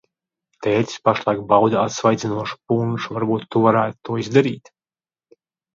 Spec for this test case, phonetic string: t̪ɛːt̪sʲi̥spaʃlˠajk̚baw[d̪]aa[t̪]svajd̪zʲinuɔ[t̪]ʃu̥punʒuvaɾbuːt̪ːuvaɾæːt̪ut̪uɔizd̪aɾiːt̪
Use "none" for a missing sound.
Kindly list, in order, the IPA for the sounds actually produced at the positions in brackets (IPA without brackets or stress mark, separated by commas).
d̪, t̪, none